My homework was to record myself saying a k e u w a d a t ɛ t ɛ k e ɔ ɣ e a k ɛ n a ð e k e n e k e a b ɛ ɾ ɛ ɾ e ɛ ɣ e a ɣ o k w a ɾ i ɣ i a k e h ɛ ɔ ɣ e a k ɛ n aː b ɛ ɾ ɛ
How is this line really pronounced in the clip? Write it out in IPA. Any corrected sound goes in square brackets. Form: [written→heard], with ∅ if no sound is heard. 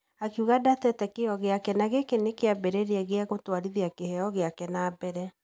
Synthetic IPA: a k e u [w→ɣ] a d a t ɛ t ɛ k e ɔ ɣ e a k ɛ n a [ð→ɣ] e k e n e k e a b ɛ ɾ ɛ ɾ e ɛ ɣ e a ɣ o [k→t] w a ɾ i [ɣ→ð] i a k e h ɛ ɔ ɣ e a k ɛ n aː b ɛ ɾ ɛ